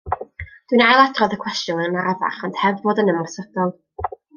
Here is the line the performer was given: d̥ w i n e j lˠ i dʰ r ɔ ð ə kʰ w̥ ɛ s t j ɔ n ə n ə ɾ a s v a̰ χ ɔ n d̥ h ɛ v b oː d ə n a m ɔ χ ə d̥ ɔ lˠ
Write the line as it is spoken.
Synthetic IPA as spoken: d̥ w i n a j lˠ a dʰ r ɔ ð ə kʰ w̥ ɛ s t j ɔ n ə n a ɾ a v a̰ χ ɔ n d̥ h ɛ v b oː d ə n ə m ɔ s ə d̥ ɔ lˠ